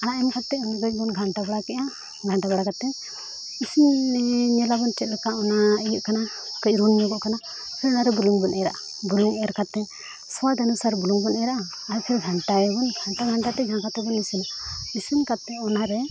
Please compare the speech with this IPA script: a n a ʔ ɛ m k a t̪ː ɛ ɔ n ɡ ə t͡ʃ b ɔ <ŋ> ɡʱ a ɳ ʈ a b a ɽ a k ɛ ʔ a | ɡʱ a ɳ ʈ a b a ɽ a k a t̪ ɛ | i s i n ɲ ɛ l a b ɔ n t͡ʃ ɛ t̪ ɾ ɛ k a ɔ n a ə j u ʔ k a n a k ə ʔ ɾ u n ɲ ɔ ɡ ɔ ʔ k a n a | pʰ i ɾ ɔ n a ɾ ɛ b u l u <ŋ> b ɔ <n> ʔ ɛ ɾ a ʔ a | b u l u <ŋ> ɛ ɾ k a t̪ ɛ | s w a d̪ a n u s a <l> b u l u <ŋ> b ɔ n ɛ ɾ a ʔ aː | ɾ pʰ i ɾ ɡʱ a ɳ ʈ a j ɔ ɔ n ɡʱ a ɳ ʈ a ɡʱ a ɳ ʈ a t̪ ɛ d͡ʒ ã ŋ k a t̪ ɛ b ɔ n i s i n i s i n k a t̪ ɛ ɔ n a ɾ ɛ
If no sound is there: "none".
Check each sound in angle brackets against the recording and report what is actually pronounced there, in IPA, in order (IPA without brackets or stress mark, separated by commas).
n, ŋ, n, ŋ, ɾ, ŋ